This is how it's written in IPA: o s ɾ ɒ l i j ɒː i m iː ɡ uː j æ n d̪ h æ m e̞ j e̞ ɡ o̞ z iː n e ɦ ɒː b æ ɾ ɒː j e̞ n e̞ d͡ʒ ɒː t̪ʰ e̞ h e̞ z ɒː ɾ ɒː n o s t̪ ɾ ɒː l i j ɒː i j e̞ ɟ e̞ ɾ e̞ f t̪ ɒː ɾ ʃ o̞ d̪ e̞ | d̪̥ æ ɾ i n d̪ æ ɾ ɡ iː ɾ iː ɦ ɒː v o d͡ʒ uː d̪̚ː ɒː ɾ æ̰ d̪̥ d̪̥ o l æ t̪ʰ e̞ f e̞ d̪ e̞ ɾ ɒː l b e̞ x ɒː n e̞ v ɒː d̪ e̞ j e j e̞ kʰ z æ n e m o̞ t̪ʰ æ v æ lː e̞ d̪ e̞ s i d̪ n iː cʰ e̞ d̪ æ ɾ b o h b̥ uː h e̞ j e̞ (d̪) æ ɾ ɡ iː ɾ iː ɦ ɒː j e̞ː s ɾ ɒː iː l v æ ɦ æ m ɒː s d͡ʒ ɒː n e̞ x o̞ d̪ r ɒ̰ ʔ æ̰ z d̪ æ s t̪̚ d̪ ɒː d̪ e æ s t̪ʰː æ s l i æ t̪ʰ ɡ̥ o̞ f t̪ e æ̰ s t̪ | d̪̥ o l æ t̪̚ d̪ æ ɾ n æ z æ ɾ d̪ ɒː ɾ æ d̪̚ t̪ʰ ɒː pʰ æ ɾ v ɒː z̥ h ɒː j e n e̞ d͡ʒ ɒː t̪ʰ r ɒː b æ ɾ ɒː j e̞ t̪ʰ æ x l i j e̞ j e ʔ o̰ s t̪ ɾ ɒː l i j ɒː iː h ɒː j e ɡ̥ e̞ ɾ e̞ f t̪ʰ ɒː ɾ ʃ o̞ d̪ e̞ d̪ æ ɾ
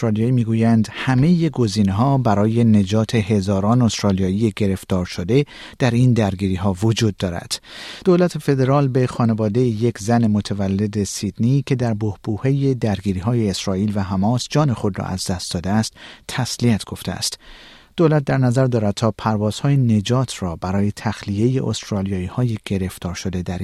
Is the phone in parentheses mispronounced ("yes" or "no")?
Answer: no